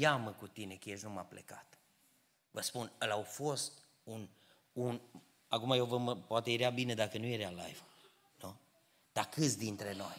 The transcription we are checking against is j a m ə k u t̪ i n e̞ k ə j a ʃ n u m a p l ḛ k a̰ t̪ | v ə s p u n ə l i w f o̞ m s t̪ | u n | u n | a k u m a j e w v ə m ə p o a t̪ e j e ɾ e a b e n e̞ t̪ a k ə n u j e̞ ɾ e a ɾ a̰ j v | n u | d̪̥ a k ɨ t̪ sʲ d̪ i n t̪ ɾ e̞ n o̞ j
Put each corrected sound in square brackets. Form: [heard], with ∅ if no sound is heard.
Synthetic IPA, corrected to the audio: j a m ə k u t̪ i n e̞ k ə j [e] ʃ n u m a p l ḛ k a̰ t̪ | v ə s p u n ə l [a] w f o̞ [∅] s t̪ | u n | u n | a k u m a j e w v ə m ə p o a t̪ e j e ɾ e a b [i] n e̞ [d̪] a k ə n u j e̞ ɾ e a [l] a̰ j v | n u | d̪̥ a k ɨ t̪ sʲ d̪ i n t̪ ɾ e̞ n o̞ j